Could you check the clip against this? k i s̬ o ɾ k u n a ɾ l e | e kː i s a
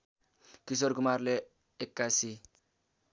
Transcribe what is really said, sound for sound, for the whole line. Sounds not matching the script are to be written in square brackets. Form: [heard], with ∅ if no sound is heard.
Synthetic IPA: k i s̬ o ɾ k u [m] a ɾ l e | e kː [a] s [i]